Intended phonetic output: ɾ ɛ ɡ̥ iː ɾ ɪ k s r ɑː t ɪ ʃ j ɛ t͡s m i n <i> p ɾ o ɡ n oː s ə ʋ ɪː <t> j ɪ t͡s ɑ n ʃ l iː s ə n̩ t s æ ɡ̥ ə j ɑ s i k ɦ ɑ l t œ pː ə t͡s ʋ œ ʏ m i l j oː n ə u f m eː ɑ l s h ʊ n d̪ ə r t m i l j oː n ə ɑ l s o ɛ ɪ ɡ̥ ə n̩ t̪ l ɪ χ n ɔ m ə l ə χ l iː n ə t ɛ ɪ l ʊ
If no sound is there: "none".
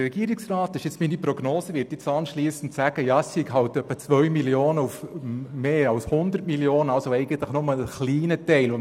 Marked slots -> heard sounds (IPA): i, t

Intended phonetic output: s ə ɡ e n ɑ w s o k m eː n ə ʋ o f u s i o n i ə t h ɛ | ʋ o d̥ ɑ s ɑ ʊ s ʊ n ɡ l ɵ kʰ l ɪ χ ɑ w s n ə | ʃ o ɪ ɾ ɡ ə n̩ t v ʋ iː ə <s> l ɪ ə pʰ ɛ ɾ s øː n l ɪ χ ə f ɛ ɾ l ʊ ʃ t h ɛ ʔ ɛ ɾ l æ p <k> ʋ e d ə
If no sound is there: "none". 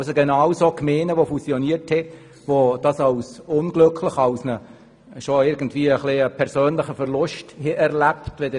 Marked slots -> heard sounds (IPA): χ, t

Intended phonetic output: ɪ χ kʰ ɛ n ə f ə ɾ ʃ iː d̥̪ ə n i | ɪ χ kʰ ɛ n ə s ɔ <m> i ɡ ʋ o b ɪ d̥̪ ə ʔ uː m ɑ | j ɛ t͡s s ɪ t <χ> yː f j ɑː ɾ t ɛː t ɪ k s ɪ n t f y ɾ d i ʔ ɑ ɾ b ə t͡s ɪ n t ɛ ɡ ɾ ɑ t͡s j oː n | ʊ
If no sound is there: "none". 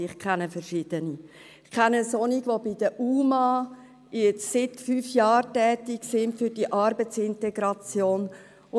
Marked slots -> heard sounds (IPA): n, f

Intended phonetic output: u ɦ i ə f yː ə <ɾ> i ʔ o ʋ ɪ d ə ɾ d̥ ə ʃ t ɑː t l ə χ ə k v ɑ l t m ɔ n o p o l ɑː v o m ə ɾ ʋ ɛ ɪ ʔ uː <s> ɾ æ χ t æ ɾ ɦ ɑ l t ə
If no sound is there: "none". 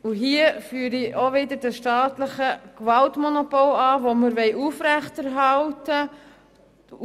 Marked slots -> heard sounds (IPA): ɾ, f

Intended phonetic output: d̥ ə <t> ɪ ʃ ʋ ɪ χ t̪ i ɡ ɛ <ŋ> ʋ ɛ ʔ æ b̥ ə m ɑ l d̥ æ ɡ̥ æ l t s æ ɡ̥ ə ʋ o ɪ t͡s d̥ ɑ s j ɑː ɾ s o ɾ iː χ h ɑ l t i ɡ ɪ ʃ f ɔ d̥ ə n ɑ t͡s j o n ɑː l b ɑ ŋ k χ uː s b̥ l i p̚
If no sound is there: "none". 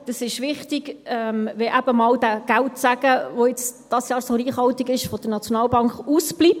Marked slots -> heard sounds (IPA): s, m

